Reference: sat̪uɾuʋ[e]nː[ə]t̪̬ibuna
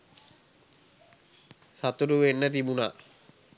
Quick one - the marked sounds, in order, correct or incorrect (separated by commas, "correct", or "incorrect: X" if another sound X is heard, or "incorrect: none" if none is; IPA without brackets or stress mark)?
correct, correct